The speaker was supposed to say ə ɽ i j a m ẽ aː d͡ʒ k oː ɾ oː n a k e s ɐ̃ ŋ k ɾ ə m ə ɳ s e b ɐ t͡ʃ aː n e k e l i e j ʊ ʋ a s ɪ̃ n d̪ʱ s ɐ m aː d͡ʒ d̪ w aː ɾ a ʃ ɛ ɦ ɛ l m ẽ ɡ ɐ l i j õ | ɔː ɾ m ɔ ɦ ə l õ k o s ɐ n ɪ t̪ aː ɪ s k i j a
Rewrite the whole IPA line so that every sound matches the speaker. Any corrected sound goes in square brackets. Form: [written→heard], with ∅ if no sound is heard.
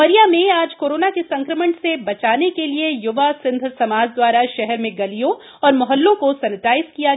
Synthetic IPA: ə [ɽ→ɾ] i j a m ẽ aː d͡ʒ k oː ɾ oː n a k e s ɐ̃ ŋ k ɾ ə m ə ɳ s e b ɐ t͡ʃ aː n e k e l i e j ʊ ʋ a s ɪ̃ n d̪ʱ s ɐ m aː d͡ʒ d̪ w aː ɾ a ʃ ɛ ɦ ɛ [l→ɾ] m ẽ ɡ ɐ l i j õ | ɔː ɾ m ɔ ɦ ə [l→lː] õ k o s ɐ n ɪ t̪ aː ɪ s k i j a